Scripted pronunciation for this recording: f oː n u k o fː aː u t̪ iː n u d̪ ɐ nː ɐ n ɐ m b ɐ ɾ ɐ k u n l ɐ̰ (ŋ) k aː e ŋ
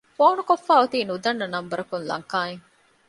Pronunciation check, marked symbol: correct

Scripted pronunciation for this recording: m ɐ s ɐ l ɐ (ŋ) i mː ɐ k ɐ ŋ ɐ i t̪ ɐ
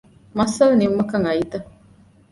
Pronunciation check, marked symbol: incorrect: n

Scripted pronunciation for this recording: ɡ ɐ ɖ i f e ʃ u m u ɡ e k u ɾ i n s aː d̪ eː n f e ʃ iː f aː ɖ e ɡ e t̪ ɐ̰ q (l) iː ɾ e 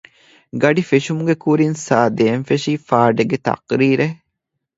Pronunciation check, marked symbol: incorrect: ɾ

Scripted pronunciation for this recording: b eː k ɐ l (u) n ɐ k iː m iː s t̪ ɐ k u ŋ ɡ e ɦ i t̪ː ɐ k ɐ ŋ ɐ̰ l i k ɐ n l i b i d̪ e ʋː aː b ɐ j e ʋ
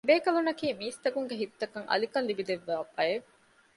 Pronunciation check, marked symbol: correct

